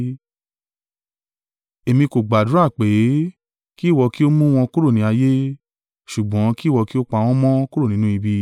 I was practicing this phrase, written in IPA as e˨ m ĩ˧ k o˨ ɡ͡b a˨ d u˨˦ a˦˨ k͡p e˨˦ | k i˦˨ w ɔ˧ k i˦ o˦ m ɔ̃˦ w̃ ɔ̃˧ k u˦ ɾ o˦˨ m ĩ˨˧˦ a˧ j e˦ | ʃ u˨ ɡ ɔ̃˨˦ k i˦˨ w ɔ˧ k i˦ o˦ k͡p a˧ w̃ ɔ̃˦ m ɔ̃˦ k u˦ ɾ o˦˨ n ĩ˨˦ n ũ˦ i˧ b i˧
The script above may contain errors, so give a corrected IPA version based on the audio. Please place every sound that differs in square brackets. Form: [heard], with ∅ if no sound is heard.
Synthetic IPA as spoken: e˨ m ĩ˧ k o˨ ɡ͡b a˨ d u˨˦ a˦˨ k͡p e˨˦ | k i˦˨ w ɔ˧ k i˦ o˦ m [ũ˦] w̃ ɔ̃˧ k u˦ ɾ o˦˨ [n] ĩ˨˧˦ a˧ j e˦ | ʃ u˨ [ɡ͡b] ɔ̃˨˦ k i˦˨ w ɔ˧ k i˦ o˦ k͡p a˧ w̃ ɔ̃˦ m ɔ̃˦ k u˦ ɾ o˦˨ n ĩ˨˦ n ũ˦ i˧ b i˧